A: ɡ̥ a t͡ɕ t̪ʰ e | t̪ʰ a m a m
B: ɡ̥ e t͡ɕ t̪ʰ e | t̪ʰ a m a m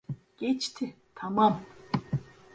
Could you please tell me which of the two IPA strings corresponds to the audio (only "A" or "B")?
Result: B